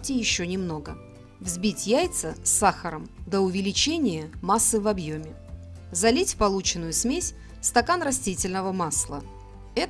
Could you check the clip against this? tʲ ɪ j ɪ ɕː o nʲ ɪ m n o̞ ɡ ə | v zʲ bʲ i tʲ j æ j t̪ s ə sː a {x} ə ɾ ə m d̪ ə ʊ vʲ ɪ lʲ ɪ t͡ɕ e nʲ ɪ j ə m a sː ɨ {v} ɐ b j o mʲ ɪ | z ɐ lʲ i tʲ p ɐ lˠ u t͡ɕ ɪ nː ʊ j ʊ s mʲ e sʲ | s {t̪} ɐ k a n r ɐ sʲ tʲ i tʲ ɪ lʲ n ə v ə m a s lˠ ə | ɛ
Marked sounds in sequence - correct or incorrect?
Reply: correct, correct, correct

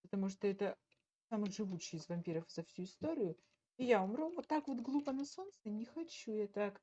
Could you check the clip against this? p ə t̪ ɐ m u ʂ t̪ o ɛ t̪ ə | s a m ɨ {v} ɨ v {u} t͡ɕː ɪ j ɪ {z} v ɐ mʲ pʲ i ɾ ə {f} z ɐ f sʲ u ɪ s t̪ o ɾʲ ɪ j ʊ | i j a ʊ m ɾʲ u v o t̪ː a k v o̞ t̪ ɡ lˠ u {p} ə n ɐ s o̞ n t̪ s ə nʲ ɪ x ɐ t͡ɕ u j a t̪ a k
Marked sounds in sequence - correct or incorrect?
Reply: incorrect: ʐ, correct, correct, correct, correct

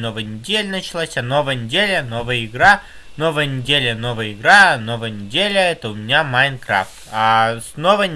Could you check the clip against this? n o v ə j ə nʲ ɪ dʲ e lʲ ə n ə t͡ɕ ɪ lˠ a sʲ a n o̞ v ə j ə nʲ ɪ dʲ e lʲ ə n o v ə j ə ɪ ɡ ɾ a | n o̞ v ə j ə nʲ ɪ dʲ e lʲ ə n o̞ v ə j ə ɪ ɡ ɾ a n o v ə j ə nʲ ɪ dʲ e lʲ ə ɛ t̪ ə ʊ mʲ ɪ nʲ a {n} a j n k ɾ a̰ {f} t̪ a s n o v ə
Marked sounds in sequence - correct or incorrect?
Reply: incorrect: m, correct

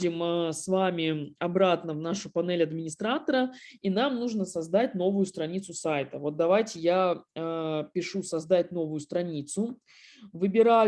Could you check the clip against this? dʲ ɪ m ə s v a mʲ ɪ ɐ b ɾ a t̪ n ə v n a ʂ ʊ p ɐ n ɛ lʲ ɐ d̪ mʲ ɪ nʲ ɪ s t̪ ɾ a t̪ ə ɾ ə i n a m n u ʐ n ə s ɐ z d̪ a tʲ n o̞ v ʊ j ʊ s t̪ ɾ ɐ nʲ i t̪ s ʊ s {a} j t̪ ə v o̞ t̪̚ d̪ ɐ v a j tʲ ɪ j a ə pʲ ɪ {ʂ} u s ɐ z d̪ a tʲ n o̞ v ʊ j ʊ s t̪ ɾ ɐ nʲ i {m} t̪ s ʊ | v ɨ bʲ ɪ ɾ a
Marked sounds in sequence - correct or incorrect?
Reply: correct, correct, incorrect: none

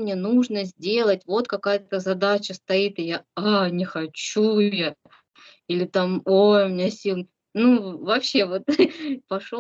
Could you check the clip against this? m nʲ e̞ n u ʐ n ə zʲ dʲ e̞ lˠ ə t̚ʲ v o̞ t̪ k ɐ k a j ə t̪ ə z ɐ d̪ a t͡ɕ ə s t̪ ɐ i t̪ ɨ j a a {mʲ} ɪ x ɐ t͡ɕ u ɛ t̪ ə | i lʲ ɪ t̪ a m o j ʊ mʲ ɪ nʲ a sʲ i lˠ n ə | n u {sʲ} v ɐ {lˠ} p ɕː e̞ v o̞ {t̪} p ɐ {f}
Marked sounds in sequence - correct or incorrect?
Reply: incorrect: nʲ, incorrect: none, incorrect: none, correct, incorrect: ʂ

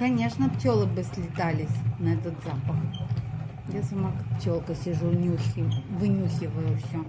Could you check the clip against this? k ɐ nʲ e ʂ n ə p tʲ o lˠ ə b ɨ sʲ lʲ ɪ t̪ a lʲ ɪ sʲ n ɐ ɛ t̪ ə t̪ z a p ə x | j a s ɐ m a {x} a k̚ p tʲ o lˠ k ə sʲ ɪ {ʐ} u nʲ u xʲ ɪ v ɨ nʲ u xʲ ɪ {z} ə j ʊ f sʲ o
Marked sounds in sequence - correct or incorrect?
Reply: incorrect: k, correct, incorrect: v

